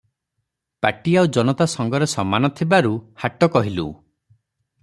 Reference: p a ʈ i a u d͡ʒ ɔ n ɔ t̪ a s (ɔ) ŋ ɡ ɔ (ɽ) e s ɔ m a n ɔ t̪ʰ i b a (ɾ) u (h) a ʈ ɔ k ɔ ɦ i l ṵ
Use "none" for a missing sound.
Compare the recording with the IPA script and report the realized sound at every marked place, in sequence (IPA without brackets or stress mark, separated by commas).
ɔ, ɾ, ɾ, h